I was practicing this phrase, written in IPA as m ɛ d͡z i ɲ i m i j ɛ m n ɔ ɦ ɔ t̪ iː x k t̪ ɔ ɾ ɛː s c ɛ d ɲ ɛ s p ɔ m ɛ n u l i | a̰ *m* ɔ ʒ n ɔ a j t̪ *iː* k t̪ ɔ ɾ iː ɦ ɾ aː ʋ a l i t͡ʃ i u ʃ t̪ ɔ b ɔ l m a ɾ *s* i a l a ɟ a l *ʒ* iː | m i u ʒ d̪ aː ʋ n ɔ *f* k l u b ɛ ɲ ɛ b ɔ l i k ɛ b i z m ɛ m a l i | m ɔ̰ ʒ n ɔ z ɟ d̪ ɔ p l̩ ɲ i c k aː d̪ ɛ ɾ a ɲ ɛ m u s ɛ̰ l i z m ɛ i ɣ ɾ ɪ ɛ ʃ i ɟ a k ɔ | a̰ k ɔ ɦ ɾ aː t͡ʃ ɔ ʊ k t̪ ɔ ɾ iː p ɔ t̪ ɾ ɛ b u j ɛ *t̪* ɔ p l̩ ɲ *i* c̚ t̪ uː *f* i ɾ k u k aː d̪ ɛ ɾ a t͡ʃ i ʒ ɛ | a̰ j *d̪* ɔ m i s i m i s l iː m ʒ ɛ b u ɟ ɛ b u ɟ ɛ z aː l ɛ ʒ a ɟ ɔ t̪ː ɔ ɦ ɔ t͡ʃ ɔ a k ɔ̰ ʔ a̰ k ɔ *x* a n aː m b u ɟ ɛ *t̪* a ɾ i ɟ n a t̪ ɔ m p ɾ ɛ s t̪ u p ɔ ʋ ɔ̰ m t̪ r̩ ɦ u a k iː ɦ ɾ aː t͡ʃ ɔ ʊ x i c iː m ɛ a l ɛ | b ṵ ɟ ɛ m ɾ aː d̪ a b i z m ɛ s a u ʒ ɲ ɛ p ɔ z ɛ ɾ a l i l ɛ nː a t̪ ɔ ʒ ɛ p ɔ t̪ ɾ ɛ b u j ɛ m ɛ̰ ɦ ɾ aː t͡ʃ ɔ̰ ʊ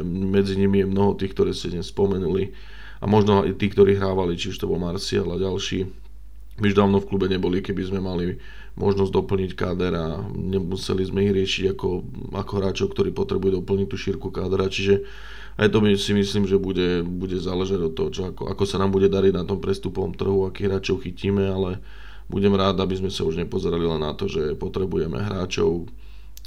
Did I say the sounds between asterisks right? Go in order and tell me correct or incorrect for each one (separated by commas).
correct, correct, correct, incorrect, correct, incorrect, correct, incorrect, incorrect, incorrect, incorrect